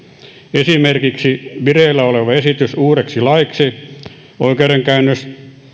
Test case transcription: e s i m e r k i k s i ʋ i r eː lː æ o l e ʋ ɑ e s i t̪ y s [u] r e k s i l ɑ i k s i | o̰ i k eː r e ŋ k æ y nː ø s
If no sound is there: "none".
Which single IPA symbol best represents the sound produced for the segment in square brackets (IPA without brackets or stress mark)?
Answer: uː